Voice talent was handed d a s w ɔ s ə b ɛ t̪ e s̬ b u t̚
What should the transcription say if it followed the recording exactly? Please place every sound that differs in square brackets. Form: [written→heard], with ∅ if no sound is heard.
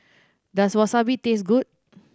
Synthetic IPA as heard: d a s w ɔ s [ə→a] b [ɛ→i] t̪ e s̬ [b→ɡ] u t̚